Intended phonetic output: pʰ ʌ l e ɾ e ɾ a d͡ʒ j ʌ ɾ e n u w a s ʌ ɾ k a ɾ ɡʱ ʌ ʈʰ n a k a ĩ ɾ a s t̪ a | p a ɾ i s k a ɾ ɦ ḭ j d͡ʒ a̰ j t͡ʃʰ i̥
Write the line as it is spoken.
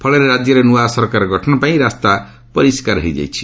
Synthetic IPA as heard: pʰ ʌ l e ɾ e ɾ a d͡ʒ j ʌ ɾ e n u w a s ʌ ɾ k a ɾ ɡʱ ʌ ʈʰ n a p a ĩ ɾ a s t̪ a | p ʌ ɾ i s k a ɾ ɦ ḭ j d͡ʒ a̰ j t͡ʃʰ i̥

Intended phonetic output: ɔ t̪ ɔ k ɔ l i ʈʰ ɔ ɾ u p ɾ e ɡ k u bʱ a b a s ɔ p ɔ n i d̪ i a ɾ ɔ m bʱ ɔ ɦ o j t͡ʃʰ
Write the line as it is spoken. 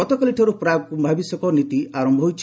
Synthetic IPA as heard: ɔ t̪ ɔ k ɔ l i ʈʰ ɔ ɾ u p ɾ a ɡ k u bʱ a b i s ɔ k ɔ n i t̪ i a ɾ ɔ m bʱ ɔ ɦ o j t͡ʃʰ

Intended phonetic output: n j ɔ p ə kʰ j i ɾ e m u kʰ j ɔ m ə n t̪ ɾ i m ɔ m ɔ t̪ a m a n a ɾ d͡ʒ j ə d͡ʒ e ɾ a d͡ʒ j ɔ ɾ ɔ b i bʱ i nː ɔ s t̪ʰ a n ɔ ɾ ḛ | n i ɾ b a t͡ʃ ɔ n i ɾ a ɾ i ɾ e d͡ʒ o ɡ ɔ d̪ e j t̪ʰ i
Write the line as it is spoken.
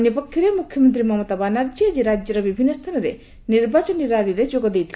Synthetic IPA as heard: n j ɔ p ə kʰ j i ɾ e m u kʰ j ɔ m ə n t̪ ɾ i m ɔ m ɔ t̪ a b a n a ɾ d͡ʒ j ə d͡ʒ e ɾ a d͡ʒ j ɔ ɾ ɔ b i bʱ i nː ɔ s t̪ʰ a n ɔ ɾ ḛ | n i ɾ b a t͡ʃ ɔ n i ɾ a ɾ i ɾ e d͡ʒ o ɡ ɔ d̪ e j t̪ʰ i

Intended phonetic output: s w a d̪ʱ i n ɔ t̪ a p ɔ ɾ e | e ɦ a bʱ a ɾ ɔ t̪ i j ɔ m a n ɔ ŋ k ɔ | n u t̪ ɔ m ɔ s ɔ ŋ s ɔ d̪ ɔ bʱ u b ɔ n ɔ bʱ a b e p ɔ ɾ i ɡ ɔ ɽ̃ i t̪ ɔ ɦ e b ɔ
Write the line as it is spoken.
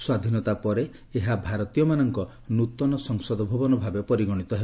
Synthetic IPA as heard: s w a d̪ʱ i n ɔ t̪ a p ɔ ɾ e | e ɦ a bʱ a ɾ ɔ t̪ i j ɔ m a n ɔ ŋ k ɔ | n u t̪ ɔ n ɔ s ɔ ŋ s ɔ d̪ ɔ bʱ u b ɔ n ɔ bʱ a b e p ɔ ɾ i ɡ ɔ ɽ̃ i t̪ ɔ ɦ e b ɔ

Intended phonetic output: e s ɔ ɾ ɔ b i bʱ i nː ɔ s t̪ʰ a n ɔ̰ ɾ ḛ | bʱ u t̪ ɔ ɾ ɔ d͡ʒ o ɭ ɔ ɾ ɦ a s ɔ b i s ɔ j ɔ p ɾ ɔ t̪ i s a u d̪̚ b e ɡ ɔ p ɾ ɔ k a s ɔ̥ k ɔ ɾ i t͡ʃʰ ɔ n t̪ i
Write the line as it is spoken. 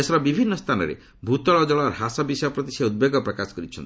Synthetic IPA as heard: e s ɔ ɾ ɔ b i bʱ i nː ɔ s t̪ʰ a n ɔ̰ ɾ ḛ | bʱ u t̪ ɔ ɭ ɔ d͡ʒ ɔ ɭ ɔ ɾ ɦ a s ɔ b i s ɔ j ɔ p ɾ ɔ t̪ i s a u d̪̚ b e ɡ ɔ p ɾ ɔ k a s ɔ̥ k ɔ ɾ i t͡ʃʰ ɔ n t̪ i

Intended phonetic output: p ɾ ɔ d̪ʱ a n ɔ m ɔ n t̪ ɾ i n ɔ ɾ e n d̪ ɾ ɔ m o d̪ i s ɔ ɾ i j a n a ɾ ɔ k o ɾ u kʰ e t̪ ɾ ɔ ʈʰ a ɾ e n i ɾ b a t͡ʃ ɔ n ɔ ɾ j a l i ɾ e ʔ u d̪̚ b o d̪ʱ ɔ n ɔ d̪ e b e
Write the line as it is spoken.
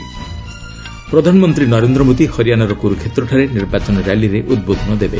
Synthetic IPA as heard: p ɾ ɔ d̪ʱ a n ɔ m ɔ n t̪ ɾ i n ɔ ɾ e n d̪ ɾ ɔ m o d̪ i h ɔ ɾ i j a n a ɾ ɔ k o ɾ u kʰ e t̪ ɾ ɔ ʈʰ a ɾ e n i ɾ b a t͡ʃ ɔ n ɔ ɾ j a l i ɾ e ʔ u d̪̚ b o d̪ʱ ɔ n ɔ d̪ e b e

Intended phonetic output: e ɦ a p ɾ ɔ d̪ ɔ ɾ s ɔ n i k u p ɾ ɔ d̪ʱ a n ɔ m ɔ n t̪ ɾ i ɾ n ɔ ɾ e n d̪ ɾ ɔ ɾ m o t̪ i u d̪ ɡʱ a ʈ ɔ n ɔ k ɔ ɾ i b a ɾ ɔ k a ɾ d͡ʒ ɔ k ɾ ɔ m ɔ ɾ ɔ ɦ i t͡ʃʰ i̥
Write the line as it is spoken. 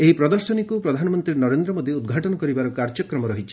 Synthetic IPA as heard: e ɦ i p ɾ ɔ d̪ ɔ ɾ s ɔ n i k u p ɾ ɔ d̪ʱ a n ɔ m ɔ n t̪ ɾ i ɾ n ɔ ɾ e n d̪ ɾ ɔ m o d̪ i u d̪ ɡʱ a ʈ ɔ n ɔ k ɔ ɾ i b a ɾ ɔ k a ɾ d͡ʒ ɔ k ɾ ɔ m ɔ ɾ ɔ ɦ i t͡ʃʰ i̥

